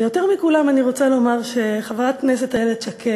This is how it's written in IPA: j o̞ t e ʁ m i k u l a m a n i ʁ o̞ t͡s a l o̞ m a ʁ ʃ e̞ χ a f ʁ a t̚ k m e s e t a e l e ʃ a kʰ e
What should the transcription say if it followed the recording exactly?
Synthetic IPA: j o̞ t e ʁ m i k u l a m a n i ʁ o̞ t͡s a l o̞ m a ʁ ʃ e̞ χ a v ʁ a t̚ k n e s e t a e l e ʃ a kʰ e